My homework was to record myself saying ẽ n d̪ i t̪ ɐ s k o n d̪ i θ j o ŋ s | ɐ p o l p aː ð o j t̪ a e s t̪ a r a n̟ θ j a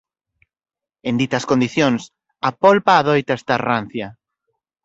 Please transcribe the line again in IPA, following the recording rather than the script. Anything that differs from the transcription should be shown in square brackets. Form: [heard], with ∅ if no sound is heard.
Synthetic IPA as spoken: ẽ n d̪ i t̪ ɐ s k o n d̪ i θ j o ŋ s | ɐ p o l p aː ð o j t̪ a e s t̪ a r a n̟ θ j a